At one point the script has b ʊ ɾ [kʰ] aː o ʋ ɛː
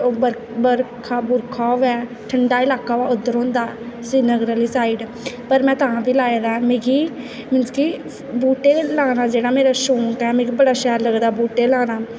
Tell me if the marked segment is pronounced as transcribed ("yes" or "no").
yes